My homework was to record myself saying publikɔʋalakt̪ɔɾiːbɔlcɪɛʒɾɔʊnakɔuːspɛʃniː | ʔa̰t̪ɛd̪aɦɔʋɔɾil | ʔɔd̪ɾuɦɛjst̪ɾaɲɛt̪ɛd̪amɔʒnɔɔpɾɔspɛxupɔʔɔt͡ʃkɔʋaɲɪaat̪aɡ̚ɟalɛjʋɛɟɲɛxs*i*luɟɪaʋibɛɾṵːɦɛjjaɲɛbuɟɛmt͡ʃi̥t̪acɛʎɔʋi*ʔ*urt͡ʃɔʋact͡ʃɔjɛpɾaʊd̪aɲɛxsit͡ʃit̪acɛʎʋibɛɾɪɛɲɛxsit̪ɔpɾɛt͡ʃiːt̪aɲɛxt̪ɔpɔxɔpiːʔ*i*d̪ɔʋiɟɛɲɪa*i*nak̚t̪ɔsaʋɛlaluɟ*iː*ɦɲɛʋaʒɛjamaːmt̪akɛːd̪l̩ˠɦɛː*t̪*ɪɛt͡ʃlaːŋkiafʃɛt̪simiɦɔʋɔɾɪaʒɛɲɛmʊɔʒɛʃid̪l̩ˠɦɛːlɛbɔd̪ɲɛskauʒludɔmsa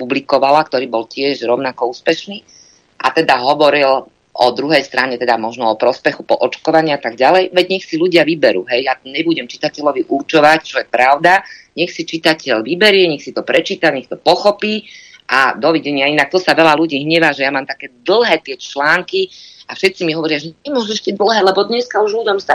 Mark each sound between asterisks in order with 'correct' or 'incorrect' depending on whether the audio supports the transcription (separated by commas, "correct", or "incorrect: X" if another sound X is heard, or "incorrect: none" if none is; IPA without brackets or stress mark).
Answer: correct, correct, incorrect: a, correct, correct, correct